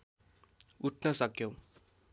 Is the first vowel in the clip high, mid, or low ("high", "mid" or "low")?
high